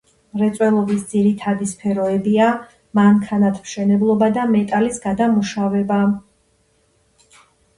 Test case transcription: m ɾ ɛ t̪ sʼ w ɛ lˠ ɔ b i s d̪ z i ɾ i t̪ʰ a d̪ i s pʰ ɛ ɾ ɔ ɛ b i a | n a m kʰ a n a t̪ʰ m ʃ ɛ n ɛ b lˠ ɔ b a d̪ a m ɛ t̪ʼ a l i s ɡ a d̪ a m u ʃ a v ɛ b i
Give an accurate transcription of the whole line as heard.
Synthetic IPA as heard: m ɾ ɛ t̪ sʼ w ɛ lˠ ɔ b i s d̪ z i ɾ i t̪ʰ a d̪ i s pʰ ɛ ɾ ɔ ɛ b i a | m a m kʰ a n a t̪ʰ m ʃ ɛ n ɛ b lˠ ɔ b a d̪ a m ɛ t̪ʼ a l i s ɡ a d̪ a m u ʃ a v ɛ b a